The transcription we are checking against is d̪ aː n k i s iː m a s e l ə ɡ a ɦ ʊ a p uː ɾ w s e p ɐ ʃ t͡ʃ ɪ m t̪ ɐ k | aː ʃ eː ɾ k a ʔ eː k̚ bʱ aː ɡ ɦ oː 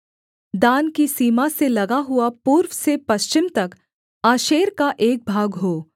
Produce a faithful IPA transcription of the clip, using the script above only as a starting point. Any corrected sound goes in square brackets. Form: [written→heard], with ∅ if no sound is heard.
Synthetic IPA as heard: d̪ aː n k i s iː m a s e l [ə→ɐ] ɡ a ɦ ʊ a p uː ɾ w s e p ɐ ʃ t͡ʃ ɪ m t̪ ɐ k | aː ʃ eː ɾ k a ʔ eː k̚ bʱ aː ɡ ɦ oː

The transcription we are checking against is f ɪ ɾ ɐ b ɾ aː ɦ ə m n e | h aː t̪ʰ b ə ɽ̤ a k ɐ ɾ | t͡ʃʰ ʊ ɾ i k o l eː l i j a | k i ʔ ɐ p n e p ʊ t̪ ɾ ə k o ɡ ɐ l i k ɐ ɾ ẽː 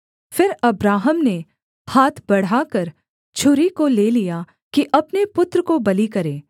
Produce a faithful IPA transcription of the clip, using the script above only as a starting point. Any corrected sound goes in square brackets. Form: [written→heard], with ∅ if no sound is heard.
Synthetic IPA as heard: f ɪ ɾ ɐ b ɾ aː ɦ ə m n e | h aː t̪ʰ b [ə→ɐ] ɽ̤ a k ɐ ɾ | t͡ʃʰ ʊ ɾ i k o l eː l i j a | k i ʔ ɐ p n e p ʊ t̪ ɾ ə k o [ɡ→b] ɐ l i k ɐ ɾ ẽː

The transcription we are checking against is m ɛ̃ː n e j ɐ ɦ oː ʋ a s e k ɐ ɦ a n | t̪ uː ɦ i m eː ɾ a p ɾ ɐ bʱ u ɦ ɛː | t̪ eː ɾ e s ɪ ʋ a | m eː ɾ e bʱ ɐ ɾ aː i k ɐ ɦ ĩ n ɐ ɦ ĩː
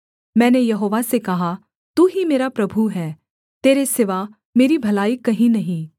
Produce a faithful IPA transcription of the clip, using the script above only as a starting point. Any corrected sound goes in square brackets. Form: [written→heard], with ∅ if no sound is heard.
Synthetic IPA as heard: m ɛ̃ː n e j ɐ ɦ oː ʋ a s e k ɐ ɦ a [n→∅] | t̪ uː ɦ i m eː ɾ a p ɾ ɐ bʱ u ɦ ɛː | t̪ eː ɾ e s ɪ ʋ a | m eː ɾ [e→i] bʱ ɐ [ɾ→l] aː i k ɐ ɦ ĩ n ɐ ɦ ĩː

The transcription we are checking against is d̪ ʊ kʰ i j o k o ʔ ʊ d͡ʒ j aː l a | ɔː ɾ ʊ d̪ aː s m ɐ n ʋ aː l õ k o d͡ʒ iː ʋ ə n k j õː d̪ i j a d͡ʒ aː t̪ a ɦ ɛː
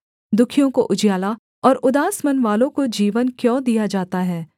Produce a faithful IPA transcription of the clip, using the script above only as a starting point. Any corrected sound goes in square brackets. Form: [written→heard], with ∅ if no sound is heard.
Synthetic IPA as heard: d̪ ʊ kʰ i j [o→õ] k o ʔ ʊ d͡ʒ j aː l a | ɔː ɾ ʊ d̪ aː s m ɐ n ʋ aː l õ k o d͡ʒ iː ʋ ə n k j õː d̪ i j a d͡ʒ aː t̪ a ɦ ɛː

